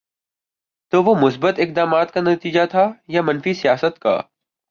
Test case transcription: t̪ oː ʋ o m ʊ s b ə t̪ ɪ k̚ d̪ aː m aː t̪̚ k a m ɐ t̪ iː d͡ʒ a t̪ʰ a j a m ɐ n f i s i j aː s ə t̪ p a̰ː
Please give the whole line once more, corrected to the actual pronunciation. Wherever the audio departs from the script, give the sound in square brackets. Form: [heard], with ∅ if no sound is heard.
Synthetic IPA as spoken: t̪ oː ʋ o m ʊ s b ə t̪ ɪ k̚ d̪ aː m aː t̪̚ k a [n] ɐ t̪ iː d͡ʒ a t̪ʰ a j a m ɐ n f i s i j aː s ə t̪ [k] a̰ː